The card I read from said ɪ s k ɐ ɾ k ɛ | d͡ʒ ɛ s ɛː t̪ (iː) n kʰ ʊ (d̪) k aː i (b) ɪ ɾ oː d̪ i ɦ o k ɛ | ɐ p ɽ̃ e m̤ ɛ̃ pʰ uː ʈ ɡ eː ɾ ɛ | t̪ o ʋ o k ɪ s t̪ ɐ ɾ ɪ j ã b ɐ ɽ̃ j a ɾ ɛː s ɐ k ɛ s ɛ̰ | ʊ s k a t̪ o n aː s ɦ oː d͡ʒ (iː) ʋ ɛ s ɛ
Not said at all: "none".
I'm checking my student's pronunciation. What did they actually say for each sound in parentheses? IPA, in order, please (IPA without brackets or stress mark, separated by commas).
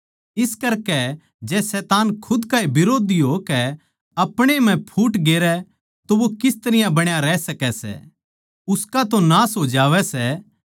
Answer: aː, d̪, b, aː